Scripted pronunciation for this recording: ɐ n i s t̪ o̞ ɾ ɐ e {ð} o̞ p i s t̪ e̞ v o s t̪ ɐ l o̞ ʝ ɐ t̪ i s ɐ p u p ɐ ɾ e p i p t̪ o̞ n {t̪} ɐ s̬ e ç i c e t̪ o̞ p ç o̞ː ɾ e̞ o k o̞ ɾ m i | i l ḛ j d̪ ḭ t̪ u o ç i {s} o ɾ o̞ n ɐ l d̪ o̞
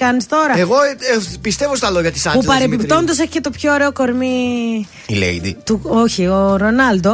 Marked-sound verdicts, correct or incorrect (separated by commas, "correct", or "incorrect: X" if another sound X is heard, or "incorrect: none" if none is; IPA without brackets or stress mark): incorrect: ɣ, incorrect: d̪, incorrect: none